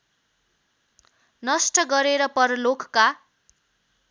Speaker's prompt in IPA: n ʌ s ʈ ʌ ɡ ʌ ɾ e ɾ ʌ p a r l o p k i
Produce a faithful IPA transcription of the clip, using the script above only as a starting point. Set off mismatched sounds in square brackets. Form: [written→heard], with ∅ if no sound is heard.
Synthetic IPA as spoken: n ʌ s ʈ ʌ ɡ ʌ ɾ e ɾ ʌ p [a→ʌ] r l o [p→k] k [i→a]